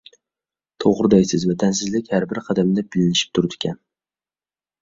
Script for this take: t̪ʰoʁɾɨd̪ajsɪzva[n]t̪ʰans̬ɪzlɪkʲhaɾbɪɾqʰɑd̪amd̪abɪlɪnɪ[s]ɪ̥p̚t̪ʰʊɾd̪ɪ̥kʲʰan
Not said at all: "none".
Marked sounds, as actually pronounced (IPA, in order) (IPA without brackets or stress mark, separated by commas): none, ʃ